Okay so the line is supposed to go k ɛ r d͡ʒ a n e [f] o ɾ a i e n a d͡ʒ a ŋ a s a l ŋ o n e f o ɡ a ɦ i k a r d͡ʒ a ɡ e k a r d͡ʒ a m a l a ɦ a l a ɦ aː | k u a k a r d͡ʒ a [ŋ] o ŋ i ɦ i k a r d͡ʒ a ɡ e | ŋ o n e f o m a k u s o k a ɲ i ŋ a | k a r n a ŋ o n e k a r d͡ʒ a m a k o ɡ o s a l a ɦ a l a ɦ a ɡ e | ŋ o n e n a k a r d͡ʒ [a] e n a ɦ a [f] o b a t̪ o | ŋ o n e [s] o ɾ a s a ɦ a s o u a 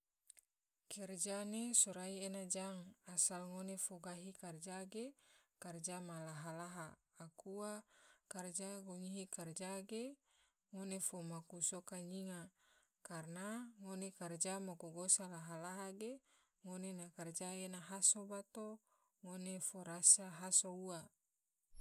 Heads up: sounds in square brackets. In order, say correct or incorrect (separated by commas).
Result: incorrect, incorrect, correct, incorrect, incorrect